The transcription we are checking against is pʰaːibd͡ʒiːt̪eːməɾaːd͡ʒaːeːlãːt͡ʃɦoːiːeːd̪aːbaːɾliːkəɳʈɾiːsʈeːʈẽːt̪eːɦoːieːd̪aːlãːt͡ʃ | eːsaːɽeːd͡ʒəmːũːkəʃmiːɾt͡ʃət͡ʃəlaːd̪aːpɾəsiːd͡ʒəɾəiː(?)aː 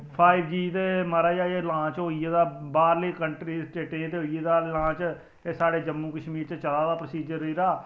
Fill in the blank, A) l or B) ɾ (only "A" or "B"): B